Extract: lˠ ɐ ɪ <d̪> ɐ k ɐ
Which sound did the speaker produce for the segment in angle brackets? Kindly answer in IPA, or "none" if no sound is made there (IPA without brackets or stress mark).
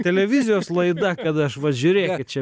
d̪